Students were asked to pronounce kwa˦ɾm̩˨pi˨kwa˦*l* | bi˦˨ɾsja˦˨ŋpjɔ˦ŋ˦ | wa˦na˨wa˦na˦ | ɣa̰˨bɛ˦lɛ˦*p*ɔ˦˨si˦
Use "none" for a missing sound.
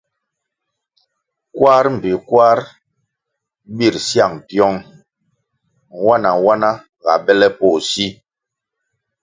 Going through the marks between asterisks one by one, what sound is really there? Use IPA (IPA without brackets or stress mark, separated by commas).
ɾ, p